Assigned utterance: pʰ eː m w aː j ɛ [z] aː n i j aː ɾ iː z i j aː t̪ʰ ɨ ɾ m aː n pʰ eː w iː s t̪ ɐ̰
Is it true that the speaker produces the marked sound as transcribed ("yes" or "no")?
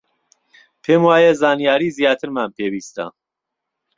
yes